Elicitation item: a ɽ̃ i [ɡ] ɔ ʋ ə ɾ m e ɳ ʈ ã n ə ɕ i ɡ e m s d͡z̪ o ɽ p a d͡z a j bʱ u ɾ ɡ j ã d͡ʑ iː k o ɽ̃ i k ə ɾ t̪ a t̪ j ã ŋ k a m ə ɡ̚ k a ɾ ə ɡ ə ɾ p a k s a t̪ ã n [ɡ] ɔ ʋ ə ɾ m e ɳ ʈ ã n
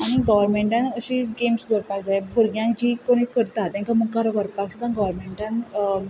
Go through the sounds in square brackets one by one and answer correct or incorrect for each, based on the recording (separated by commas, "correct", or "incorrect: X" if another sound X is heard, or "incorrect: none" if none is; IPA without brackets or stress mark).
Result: correct, correct